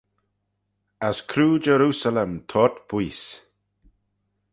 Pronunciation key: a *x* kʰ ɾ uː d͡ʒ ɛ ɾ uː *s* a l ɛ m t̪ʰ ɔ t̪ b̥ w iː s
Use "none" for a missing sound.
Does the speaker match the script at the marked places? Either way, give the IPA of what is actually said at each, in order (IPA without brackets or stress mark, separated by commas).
s, s